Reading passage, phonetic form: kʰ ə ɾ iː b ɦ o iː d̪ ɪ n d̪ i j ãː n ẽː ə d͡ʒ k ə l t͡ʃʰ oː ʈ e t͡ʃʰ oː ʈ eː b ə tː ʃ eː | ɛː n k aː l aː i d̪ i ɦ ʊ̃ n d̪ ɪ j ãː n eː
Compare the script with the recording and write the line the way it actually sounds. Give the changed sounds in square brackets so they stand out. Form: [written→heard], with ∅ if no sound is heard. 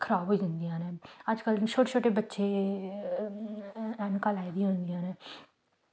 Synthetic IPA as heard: kʰ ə ɾ [iː→aː] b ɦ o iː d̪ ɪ n d̪ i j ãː n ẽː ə d͡ʒ k ə l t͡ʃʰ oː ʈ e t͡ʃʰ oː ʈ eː b ə tː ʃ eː | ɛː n k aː l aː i d̪ i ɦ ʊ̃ n d̪ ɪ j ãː n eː